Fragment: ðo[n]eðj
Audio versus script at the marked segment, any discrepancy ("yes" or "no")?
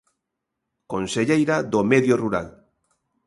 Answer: yes